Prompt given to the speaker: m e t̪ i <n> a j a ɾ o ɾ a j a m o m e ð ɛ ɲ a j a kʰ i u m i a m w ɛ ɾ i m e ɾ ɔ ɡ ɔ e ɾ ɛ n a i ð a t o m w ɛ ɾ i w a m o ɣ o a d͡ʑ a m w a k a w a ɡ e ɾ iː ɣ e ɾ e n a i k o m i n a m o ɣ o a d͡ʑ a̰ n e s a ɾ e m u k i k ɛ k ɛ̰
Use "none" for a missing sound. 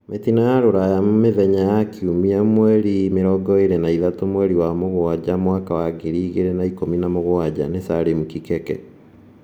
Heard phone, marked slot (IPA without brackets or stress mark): n